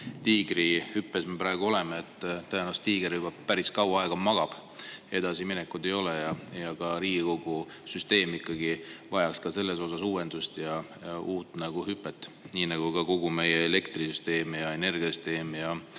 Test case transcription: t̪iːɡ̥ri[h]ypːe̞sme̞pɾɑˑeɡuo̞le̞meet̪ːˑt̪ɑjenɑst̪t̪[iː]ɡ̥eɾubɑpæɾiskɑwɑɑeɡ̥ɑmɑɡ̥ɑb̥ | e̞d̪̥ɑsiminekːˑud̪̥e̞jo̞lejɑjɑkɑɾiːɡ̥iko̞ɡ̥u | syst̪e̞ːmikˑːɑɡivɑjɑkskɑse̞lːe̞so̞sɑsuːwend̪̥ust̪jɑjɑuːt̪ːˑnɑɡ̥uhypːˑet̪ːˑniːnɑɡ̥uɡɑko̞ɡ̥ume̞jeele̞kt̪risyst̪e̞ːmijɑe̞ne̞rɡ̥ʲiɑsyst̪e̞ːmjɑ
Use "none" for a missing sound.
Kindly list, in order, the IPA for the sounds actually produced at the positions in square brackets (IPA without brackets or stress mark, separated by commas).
h, iː